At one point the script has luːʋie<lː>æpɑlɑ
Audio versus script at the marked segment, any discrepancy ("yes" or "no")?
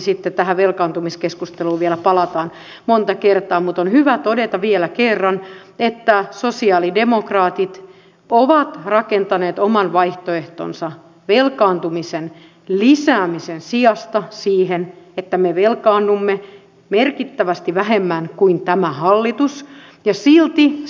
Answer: yes